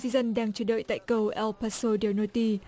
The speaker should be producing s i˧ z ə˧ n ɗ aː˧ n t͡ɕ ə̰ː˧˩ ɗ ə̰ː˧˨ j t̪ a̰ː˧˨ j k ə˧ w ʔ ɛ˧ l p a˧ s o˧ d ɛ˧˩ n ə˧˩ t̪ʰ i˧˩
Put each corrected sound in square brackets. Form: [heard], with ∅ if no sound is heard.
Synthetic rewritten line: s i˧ z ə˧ n ɗ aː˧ [ŋ] t͡ɕ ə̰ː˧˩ ɗ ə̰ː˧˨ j t̪ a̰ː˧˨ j k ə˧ w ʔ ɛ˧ l p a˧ s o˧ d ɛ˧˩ n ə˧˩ [t̪] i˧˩